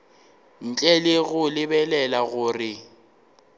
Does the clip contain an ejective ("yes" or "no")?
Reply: yes